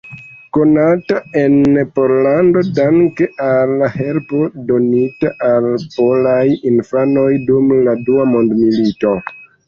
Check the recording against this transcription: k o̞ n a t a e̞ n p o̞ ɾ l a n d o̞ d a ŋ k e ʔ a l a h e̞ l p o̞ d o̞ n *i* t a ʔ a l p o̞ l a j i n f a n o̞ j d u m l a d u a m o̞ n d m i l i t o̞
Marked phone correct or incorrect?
correct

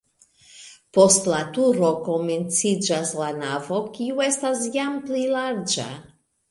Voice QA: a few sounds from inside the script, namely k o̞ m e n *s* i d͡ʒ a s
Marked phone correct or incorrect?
incorrect: t͡s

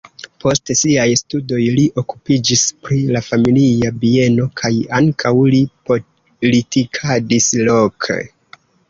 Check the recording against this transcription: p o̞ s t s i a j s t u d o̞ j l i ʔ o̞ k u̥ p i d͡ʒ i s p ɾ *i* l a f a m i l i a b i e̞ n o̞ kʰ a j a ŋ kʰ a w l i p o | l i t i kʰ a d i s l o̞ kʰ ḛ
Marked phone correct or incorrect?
correct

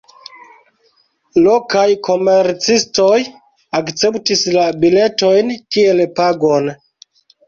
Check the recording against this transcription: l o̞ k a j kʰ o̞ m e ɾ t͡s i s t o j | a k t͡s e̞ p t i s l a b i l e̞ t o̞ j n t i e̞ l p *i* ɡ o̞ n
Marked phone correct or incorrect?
incorrect: a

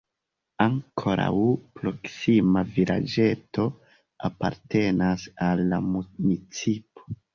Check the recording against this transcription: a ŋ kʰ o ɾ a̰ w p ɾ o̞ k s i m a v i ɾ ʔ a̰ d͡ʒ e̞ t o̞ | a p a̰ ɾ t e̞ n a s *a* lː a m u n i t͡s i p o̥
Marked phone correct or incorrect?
correct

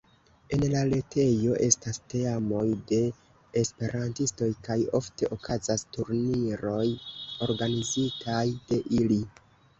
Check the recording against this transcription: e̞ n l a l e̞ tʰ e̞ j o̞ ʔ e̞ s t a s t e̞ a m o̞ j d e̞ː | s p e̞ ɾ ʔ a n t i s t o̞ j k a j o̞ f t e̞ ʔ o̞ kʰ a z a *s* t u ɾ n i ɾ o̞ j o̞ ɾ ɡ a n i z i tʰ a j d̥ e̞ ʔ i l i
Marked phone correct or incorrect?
correct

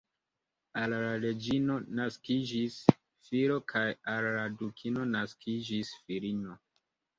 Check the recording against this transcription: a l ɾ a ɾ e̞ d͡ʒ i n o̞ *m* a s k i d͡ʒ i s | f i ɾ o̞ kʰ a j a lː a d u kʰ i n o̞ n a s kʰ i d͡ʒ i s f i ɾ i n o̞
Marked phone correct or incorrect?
incorrect: n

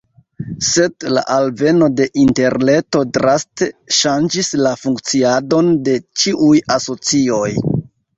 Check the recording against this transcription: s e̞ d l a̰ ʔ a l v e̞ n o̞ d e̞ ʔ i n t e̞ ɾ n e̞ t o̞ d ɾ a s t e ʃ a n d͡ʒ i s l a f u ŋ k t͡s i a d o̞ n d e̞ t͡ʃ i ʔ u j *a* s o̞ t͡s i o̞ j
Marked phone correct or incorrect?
correct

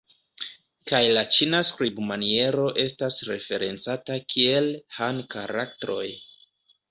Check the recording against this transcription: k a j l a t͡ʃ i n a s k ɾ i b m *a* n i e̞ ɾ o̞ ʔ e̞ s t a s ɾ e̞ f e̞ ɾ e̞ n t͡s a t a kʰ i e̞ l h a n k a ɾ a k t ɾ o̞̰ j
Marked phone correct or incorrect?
correct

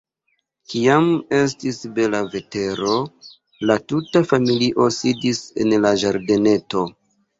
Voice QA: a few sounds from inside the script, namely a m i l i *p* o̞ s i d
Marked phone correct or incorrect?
incorrect: ʔ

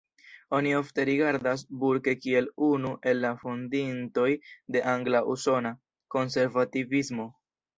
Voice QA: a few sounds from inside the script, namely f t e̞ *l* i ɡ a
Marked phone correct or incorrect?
incorrect: ɾ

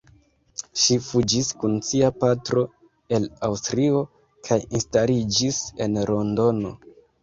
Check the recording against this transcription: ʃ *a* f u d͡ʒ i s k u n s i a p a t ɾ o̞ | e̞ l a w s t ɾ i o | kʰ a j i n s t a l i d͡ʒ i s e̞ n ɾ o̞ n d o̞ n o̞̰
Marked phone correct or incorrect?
incorrect: i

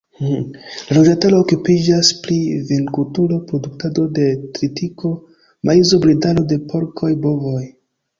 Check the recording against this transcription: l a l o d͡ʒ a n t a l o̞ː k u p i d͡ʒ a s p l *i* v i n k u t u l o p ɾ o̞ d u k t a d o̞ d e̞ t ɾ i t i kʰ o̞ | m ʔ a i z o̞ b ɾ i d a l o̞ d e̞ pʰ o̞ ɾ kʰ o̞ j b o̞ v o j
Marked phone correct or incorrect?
correct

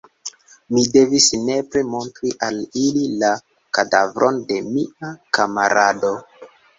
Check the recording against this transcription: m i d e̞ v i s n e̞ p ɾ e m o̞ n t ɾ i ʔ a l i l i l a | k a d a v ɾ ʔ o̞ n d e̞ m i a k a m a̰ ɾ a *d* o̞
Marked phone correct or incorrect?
correct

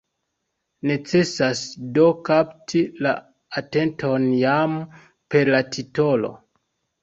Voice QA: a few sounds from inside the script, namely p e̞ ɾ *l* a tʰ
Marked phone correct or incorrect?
correct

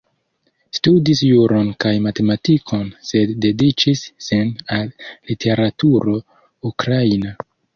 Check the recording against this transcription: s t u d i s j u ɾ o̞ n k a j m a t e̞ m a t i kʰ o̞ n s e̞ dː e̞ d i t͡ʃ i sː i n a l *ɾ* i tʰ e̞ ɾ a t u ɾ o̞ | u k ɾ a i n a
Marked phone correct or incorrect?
incorrect: l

